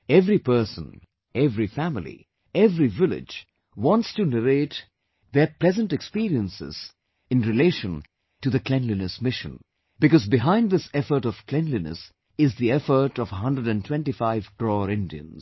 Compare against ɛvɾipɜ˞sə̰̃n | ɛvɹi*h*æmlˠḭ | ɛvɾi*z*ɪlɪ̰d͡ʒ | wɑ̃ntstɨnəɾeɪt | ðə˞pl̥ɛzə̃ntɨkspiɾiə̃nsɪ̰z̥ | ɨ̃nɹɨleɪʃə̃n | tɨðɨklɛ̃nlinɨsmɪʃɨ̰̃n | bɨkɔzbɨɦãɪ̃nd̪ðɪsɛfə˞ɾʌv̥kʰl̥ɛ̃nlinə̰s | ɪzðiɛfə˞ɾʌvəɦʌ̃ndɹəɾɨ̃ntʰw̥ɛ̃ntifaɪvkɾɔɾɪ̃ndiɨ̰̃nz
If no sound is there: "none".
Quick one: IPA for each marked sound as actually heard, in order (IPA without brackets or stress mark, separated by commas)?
f, v